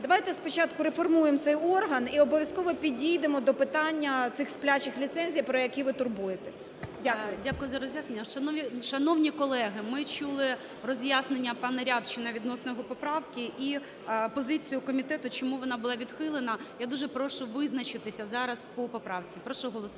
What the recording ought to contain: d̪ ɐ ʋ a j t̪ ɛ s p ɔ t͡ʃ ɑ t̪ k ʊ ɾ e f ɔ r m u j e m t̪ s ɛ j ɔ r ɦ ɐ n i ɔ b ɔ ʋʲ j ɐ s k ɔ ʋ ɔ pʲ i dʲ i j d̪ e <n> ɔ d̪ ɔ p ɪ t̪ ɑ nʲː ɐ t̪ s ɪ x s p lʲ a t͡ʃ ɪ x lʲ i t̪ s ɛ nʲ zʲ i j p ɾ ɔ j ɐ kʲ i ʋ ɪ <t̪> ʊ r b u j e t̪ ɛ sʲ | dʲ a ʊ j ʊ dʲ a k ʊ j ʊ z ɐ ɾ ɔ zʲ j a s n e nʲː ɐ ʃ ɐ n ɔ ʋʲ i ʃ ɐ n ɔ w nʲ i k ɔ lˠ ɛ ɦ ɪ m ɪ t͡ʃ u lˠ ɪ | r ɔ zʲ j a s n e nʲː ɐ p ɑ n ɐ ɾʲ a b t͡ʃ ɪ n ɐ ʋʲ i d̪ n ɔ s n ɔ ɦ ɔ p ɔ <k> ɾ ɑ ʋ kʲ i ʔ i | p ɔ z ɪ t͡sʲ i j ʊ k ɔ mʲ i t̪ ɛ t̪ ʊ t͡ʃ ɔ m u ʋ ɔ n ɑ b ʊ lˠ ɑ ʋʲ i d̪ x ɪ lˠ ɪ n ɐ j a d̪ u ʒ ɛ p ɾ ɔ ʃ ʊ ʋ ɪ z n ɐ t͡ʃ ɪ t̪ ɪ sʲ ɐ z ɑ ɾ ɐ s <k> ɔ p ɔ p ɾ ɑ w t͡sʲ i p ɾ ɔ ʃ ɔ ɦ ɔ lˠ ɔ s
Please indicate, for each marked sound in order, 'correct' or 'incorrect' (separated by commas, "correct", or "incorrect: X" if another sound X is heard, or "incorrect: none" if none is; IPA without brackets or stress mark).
incorrect: m, correct, incorrect: p, incorrect: p